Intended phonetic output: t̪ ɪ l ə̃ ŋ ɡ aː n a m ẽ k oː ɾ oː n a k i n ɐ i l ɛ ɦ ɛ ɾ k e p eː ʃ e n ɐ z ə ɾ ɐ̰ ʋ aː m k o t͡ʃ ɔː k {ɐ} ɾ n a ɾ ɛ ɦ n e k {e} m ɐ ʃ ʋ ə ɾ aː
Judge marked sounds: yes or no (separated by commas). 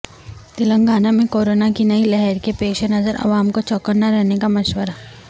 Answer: no, no